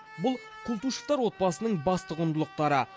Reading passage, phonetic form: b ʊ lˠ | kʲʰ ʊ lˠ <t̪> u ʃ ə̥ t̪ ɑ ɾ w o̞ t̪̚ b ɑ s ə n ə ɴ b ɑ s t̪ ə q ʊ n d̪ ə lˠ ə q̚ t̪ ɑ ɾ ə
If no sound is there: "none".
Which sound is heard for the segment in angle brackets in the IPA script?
t̪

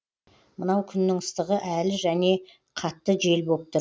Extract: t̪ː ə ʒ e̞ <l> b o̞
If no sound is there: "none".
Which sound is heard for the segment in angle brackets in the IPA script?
l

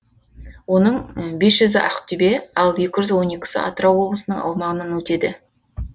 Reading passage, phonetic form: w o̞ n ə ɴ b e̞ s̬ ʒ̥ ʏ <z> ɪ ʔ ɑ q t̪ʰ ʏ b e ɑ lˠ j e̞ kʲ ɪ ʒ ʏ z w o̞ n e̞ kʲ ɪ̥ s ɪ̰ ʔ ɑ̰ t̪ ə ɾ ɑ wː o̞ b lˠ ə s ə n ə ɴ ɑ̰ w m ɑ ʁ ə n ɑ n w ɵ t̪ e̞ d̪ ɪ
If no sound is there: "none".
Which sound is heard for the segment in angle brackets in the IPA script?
z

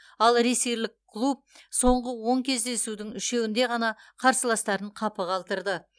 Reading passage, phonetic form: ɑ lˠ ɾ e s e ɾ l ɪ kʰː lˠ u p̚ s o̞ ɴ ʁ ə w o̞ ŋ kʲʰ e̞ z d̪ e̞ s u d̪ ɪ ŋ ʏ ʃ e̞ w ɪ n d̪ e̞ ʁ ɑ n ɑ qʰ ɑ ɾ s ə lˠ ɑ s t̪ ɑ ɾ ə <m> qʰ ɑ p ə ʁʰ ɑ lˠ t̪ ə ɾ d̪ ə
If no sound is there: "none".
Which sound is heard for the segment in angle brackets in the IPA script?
ɴ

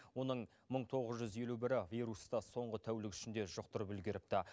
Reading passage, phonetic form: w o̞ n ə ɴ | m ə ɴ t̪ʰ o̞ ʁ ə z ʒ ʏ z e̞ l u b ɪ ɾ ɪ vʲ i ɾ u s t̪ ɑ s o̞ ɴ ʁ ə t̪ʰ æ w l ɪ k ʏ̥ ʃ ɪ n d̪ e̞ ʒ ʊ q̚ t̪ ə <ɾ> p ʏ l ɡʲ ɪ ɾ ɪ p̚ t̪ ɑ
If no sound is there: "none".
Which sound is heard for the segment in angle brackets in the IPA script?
ɾ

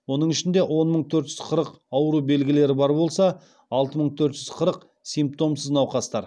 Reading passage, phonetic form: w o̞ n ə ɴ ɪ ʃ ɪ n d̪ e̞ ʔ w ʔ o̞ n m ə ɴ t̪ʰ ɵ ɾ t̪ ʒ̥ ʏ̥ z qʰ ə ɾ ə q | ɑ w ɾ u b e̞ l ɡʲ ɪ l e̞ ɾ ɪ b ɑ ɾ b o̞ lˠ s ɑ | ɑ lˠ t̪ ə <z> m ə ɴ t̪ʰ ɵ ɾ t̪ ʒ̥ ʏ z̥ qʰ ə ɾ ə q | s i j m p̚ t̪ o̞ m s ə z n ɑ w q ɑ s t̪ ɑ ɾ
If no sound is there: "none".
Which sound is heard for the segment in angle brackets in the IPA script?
none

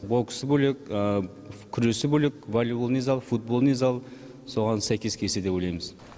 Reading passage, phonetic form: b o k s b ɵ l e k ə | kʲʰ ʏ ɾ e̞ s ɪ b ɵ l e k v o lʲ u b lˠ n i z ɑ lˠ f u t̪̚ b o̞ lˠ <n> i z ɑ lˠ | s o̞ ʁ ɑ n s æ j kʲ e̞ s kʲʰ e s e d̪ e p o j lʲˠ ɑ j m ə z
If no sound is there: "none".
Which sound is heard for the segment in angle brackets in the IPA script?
n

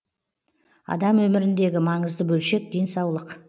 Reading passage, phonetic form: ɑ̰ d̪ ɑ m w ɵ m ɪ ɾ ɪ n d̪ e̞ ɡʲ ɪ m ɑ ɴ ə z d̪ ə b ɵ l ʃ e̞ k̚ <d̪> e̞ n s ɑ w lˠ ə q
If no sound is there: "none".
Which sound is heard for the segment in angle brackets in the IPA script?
d̪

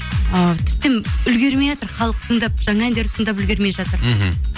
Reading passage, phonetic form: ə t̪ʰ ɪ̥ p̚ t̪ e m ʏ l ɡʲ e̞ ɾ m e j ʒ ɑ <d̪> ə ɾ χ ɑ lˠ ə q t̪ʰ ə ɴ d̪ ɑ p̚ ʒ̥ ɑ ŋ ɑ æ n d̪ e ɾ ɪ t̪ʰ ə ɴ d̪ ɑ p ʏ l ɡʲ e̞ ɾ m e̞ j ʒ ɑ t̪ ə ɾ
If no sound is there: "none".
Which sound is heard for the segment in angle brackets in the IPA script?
t̪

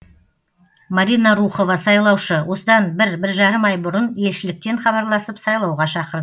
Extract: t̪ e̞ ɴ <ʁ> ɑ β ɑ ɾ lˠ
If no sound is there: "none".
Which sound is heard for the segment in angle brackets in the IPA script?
χ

